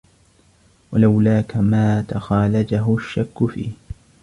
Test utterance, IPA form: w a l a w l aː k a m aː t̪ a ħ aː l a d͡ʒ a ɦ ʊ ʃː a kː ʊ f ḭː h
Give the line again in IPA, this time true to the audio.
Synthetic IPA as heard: w a l a w l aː k a m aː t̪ a x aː l a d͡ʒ a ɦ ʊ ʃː a kː ʊ f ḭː h